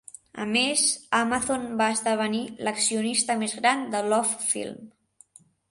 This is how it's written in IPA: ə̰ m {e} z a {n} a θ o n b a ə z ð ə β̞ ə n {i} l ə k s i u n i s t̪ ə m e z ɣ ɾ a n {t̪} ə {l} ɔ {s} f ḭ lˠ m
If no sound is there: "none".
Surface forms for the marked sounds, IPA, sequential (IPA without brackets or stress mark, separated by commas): e, m, i, d̪, l, f